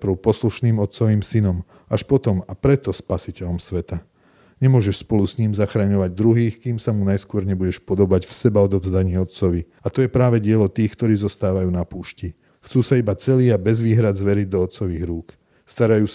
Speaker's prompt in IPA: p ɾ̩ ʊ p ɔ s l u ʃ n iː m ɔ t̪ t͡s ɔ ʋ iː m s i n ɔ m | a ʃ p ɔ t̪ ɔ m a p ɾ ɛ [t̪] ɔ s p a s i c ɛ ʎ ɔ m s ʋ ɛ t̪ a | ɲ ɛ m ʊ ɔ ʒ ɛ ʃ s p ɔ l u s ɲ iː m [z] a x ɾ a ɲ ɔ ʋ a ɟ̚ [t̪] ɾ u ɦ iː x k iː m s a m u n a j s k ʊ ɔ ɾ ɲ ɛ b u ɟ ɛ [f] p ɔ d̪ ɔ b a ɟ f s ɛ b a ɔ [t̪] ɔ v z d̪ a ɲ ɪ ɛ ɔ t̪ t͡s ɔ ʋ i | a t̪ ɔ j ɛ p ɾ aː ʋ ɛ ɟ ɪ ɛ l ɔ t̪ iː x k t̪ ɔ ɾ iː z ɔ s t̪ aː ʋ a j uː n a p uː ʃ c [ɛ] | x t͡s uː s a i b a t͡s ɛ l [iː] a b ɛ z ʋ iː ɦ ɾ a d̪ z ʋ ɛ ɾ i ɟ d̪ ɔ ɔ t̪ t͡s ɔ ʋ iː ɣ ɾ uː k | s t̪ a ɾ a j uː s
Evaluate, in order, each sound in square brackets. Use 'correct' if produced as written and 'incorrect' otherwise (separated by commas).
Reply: correct, correct, incorrect, incorrect, incorrect, incorrect, correct